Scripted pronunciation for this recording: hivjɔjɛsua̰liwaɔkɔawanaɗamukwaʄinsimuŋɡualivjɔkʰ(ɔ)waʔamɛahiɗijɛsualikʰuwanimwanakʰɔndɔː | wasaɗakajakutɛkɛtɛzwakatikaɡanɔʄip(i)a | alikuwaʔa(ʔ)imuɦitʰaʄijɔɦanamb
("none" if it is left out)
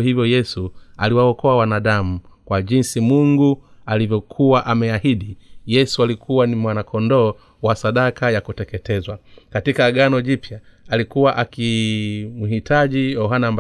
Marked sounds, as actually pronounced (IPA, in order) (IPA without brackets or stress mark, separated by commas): u, j, k